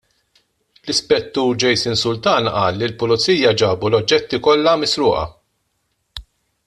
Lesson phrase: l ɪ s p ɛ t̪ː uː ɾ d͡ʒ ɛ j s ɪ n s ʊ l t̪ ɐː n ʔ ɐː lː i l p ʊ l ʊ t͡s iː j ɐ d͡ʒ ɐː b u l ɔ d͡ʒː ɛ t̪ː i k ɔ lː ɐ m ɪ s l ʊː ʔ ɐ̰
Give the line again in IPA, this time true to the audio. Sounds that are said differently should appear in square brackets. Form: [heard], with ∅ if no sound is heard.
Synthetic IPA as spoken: l ɪ s p ɛ t̪ː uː ɾ d͡ʒ ɛ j s ɪ n s ʊ l t̪ ɐː n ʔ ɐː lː i l p ʊ l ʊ t͡s iː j ɐ d͡ʒ ɐː b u l ɔ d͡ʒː ɛ t̪ː i k ɔ lː ɐ m ɪ s [ɾ] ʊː ʔ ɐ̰